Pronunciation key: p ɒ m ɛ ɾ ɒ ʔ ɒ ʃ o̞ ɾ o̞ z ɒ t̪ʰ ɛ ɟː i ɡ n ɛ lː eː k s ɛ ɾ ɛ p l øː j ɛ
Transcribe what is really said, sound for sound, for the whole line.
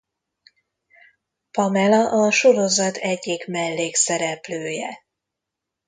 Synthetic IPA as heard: p ɒ m ɛ l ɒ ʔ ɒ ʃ o̞ ɾ o̞ z ɒ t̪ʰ ɛ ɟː i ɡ m ɛ lː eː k s ɛ ɾ ɛ p l øː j ɛ